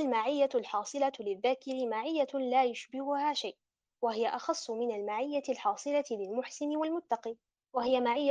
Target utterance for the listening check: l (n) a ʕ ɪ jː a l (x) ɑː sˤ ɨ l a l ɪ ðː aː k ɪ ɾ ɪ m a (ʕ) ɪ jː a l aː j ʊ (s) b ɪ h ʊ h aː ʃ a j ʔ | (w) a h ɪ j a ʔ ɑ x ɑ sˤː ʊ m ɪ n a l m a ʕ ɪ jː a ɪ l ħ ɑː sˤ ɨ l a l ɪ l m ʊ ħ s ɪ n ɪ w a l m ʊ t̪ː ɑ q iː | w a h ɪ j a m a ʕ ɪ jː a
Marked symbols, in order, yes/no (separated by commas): no, no, yes, no, yes